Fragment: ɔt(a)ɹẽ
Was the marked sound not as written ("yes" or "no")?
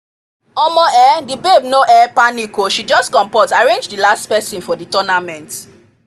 no